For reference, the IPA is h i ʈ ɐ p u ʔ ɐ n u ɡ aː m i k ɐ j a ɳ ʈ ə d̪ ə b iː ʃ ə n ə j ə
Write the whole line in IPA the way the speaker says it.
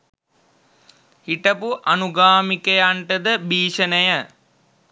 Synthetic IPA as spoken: h i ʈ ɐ p u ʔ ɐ n u ɡ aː m i k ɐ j a ɳ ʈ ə d̪ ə b iː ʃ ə n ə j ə

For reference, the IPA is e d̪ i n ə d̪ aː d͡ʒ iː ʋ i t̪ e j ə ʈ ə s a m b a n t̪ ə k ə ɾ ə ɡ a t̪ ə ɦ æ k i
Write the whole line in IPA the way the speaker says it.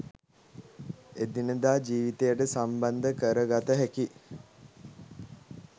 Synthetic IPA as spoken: e d̪ i n ə d̪ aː d͡ʒ iː ʋ i t̪ e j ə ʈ ə s a m b a n d̪ ə k ə ɾ ə ɡ a t̪ ə ɦ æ k i

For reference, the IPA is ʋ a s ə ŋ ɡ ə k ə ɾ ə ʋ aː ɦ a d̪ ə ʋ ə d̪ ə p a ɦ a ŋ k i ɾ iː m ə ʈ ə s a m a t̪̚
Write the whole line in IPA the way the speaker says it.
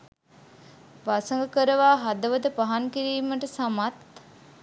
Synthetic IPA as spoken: ʋ a s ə ŋ ɡ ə k ə ɾ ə ʋ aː ɦ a d̪ ə ʋ ə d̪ ə p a ɦ a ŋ k i ɾ iː m ə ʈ ə s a m a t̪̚

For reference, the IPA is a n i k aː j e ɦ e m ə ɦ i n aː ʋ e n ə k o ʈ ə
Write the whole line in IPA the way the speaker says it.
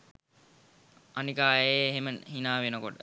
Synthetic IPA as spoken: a n i k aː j e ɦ e m ə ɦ i n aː ʋ e n ə k o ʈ ə

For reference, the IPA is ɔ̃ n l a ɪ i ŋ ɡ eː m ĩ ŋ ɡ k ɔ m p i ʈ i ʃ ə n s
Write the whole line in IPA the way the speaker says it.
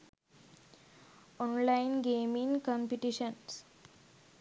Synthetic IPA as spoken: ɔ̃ n l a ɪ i n ɡ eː m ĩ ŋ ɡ k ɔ m p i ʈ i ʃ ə n s

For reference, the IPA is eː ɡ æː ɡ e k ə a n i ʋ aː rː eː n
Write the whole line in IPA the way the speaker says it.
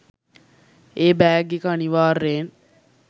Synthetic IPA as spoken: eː b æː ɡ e k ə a n i ʋ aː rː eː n

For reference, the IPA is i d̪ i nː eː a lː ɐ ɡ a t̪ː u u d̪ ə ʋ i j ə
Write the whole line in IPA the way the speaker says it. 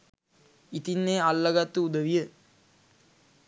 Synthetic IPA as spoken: i t̪ i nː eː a lː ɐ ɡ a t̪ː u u d̪ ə ʋ i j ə

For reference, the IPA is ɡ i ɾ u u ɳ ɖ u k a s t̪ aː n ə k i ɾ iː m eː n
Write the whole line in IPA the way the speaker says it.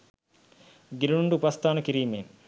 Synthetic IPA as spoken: ɡ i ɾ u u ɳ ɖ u p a s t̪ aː n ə k i ɾ iː m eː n

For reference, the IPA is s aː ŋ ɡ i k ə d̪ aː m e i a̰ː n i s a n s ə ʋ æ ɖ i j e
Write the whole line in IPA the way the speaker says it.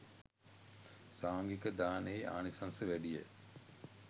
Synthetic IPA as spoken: s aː ŋ ɡ i k ə d̪ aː n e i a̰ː n i s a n s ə ʋ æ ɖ i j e

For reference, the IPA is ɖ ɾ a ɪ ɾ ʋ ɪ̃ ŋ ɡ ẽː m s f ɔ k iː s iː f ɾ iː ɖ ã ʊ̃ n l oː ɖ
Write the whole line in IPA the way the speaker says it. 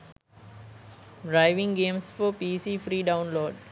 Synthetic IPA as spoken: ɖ ɾ a ɪ ʋ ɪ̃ ŋ ɡ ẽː m s f ɔ p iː s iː f ɾ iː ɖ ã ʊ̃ n l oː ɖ

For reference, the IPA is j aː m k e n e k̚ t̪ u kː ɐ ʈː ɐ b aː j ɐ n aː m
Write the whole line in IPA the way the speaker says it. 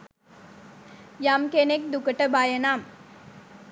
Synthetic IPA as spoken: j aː m k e n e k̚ d̪ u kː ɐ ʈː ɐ b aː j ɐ n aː m

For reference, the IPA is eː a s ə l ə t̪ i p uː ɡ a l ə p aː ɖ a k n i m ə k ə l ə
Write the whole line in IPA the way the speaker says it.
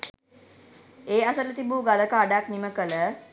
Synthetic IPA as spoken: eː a s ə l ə t̪ i b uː ɡ a l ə k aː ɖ a k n i m ə k ə l ə

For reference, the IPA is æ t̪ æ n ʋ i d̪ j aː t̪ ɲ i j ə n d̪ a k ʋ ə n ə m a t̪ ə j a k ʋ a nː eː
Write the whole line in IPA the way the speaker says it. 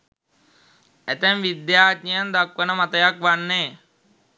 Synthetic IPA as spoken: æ t̪ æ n ʋ i d̪ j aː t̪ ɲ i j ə n d̪ a k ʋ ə n ə m a t̪ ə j a k ʋ a nː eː

